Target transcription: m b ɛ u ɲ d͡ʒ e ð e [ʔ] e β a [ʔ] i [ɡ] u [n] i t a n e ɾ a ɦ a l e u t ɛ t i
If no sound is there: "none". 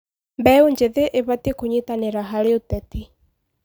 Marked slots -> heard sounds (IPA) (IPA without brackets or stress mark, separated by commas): ʔ, t, k, ɲ